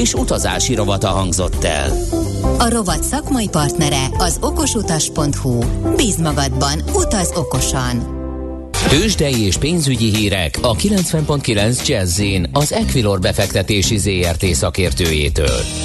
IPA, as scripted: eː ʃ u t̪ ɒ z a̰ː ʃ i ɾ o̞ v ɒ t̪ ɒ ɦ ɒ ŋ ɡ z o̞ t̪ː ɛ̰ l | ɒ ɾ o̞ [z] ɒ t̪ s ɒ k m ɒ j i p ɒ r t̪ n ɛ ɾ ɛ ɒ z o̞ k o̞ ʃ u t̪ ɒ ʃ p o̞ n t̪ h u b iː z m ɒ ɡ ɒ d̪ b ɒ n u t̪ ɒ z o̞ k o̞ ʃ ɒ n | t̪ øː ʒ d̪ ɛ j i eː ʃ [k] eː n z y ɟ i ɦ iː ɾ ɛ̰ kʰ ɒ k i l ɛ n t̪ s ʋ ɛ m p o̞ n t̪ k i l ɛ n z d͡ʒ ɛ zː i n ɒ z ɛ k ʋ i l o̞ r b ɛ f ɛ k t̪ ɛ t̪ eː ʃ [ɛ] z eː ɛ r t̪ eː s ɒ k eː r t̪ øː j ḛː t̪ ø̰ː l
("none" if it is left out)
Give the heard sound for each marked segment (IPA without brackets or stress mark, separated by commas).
v, p, i